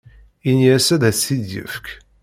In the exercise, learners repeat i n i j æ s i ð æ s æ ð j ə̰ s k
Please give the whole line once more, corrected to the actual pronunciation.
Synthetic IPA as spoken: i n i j æ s æ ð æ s i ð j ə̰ f k